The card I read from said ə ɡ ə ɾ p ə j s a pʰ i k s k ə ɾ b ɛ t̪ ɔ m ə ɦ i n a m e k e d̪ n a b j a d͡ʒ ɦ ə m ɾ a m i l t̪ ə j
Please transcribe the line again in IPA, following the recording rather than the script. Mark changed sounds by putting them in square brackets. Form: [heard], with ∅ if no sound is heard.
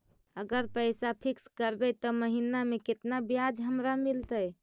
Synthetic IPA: ə ɡ ə ɾ p ə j s a pʰ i k s k ə ɾ b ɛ t̪ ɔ m ə ɦ i n a m e k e [t̪] n a b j a d͡ʒ ɦ ə m ɾ a m i l t̪ ə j